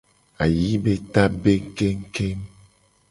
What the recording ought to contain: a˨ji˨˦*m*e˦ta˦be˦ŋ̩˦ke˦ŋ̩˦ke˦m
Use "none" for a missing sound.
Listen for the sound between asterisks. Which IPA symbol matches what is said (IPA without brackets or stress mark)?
b